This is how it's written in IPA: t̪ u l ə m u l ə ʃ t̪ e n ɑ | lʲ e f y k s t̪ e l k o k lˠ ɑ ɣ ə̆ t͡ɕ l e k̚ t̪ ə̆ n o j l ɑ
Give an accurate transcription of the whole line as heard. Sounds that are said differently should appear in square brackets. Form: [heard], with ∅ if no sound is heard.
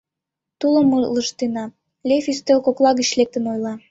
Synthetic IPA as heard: t̪ u l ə m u l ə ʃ t̪ e n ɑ | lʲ e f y [∅] s t̪ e l k o k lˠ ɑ ɣ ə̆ t͡ɕ l e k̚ t̪ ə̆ n o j l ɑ